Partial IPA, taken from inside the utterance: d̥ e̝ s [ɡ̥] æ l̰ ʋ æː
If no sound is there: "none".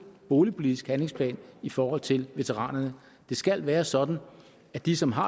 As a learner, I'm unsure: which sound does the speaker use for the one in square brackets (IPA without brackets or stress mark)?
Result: ɡ̥